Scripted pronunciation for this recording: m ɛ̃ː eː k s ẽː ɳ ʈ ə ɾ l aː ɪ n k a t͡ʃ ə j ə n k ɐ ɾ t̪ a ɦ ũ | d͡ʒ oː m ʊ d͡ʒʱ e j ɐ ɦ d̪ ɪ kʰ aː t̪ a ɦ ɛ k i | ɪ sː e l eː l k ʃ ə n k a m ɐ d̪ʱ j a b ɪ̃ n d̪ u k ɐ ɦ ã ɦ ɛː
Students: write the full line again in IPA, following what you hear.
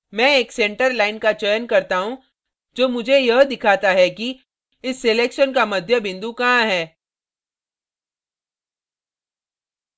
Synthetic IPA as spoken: m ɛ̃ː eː k s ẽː ɳ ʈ ə ɾ l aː ɪ n k a t͡ʃ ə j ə n k ɐ ɾ t̪ a ɦ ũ | d͡ʒ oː m ʊ d͡ʒʱ e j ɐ ɦ d̪ ɪ kʰ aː t̪ a ɦ ɛ k i | ɪ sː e l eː k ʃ ə n k a m ɐ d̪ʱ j ə b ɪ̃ n d̪ u k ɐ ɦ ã ɦ ɛː